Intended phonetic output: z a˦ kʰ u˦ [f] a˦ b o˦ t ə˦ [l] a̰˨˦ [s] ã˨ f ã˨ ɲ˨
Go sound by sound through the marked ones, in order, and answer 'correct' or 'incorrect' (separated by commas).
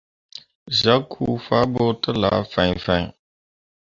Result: correct, correct, incorrect